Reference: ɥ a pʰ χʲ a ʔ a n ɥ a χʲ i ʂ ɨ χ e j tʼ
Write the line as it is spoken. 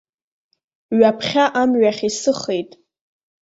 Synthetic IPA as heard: ɥ a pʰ χʲ a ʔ a m ɥ a χʲ i s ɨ χ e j tʼ

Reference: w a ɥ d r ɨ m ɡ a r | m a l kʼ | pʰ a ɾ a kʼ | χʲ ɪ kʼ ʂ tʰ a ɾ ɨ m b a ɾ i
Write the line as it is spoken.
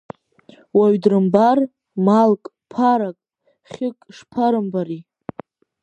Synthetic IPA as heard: w a ɥ d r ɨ m b a r | m a l kʼ | pʰ a ɾ a kʼ | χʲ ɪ kʼ ʂ pʰ a ɾ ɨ m b a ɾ i

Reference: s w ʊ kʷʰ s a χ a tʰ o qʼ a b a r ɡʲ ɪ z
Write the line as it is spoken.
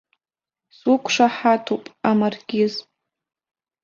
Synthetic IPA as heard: s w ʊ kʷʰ ʂ a ħ a tʰ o pʼ a m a r ɡʲ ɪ z

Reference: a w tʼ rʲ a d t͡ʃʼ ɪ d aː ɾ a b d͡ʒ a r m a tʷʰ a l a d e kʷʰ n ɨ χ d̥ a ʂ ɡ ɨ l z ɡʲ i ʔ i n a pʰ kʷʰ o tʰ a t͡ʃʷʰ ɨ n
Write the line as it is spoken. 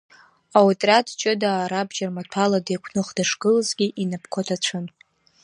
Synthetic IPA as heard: a w tʼ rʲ a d t͡ʃʼ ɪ d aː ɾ a b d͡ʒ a r m a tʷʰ a l a d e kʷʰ n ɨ χ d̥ a ʂ ɡ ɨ l z ɡʲ i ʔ i n a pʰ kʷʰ o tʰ a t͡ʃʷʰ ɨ n

